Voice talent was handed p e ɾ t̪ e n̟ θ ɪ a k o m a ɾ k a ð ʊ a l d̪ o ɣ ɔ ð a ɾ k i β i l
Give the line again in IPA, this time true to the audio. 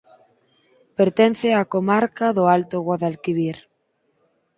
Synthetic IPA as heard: p e ɾ t̪ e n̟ θ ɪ a k o m a ɾ k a ð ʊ a l t̪ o ɣ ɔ ð a l k i β i ɾ